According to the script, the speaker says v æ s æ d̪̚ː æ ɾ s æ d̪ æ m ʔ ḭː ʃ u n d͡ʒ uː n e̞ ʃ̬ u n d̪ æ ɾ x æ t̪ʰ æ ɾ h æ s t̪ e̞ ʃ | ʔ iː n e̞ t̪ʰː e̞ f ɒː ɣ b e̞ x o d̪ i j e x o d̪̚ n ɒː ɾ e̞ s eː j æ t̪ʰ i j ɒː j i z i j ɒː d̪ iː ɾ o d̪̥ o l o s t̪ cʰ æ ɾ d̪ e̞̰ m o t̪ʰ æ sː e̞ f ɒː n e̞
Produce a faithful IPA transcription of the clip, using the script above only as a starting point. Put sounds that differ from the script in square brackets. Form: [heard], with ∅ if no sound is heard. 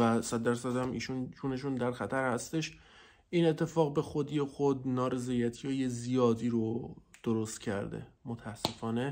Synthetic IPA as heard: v æ s æ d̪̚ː æ ɾ s æ d̪ æ m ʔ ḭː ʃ u n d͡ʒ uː n e̞ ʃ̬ u n d̪ æ ɾ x æ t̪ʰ æ ɾ h æ s t̪ e̞ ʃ | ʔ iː n e̞ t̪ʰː e̞ f ɒː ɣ b e̞ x o d̪ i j e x o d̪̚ n ɒː ɾ e̞ [z] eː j æ t̪ʰ i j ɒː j [e] z i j ɒː d̪ iː ɾ o d̪̥ o [ɾ] o s t̪ cʰ æ ɾ d̪ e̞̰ m o t̪ʰ æ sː e̞ f ɒː n e̞